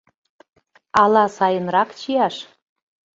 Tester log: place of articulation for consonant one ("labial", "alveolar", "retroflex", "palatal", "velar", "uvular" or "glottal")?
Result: alveolar